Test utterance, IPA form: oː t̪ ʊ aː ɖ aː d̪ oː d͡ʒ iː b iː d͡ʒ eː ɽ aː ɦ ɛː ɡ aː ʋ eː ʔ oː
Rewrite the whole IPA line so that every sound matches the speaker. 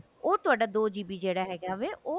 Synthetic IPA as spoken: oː t̪ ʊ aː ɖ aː d̪ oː d͡ʒ iː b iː d͡ʒ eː ɽ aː ɦ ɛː ɡ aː ʋ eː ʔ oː